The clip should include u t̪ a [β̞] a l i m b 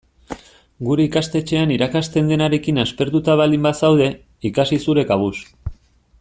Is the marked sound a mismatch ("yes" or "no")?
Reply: no